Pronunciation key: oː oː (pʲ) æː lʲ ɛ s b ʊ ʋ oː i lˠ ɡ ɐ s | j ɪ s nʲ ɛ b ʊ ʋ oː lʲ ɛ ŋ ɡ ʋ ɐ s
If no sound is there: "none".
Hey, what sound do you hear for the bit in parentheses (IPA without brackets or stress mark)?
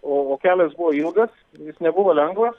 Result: kʲ